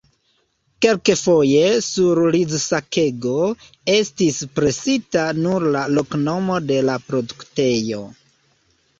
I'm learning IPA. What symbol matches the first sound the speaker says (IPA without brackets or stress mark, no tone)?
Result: k